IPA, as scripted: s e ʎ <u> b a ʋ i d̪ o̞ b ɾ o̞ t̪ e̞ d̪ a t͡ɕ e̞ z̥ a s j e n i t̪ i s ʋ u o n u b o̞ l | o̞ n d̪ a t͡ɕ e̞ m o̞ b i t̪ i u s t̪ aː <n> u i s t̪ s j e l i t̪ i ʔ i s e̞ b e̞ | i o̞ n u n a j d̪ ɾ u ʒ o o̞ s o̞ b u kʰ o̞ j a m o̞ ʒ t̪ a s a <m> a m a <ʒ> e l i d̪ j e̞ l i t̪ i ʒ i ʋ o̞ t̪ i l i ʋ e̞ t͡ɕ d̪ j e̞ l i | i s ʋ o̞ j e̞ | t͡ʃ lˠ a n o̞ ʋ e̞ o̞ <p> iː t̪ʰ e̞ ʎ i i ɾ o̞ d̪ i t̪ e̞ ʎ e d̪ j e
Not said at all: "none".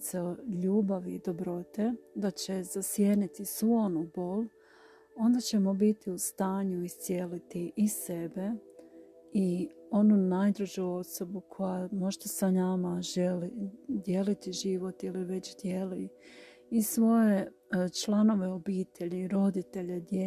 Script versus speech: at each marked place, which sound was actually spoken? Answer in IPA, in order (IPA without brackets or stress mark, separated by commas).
uː, ɲ, n, ʒ, b